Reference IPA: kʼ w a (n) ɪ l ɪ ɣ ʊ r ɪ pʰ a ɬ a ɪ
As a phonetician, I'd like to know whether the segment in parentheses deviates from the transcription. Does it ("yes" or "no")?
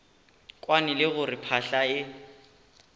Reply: no